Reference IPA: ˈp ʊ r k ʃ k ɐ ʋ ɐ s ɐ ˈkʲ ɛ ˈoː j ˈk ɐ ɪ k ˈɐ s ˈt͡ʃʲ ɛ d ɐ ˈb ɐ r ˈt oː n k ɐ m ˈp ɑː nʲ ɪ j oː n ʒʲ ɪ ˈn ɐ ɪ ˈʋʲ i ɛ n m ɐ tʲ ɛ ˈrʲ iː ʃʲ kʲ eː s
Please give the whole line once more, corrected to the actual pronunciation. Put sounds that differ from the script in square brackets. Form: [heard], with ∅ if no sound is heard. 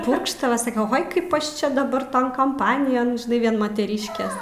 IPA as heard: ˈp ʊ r k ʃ [t] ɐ ʋ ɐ s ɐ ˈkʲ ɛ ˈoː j ˈk ɐ ɪ [p] ˈɐ [ʃ] ˈt͡ʃʲ ɛ d ɐ ˈb ɐ r ˈt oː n k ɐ m ˈp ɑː nʲ ɪ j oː n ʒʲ ɪ ˈn ɐ ɪ ˈʋʲ i ɛ n m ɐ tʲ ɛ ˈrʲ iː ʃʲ kʲ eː s